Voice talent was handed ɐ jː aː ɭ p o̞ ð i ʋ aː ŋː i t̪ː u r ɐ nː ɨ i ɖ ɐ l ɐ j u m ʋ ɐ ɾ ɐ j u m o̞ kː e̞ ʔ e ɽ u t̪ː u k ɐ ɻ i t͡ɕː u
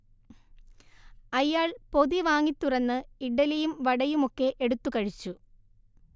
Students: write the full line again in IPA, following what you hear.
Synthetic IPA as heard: ɐ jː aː ɭ p o̞ ð i ʋ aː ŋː i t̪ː u r ɐ nː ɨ i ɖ ɐ l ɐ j u m ʋ ɐ ɽ ɐ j u m o̞ kː e̞ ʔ e ɽ u t̪ː u k ɐ ɻ i t͡ɕː u